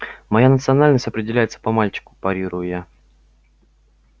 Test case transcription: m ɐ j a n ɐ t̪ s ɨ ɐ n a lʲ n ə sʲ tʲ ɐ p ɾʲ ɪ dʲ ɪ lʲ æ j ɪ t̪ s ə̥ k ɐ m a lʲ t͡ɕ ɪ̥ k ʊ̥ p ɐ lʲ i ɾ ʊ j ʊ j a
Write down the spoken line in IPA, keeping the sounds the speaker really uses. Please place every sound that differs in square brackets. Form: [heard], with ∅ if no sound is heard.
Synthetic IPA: m ɐ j a n [ə] t̪ s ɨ ɐ n a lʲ n ə sʲ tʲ ɐ p ɾʲ ɪ dʲ ɪ lʲ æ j ɪ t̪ s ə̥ [p] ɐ m a lʲ t͡ɕ ɪ̥ k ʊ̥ p ɐ [ɾʲ] i ɾ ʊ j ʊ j a